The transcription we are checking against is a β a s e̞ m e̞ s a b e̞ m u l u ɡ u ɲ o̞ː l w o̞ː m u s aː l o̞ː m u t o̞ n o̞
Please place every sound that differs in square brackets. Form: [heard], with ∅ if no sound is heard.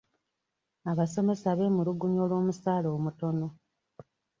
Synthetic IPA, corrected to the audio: a β a s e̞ m e̞ s a [β] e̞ m u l u ɡ u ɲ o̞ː l w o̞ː m u s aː l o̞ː m u t o̞ n o̞